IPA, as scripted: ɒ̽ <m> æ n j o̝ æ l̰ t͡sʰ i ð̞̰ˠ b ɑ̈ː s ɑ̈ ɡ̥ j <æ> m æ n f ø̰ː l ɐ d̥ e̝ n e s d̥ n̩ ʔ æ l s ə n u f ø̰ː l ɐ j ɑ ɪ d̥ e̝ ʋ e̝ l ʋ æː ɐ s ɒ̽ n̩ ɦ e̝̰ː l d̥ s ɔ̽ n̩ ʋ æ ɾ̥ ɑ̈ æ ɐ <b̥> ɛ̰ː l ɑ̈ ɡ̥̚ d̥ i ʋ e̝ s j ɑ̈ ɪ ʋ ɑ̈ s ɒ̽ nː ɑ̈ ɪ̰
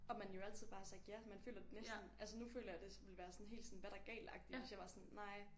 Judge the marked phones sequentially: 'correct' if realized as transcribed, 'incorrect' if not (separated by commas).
correct, correct, incorrect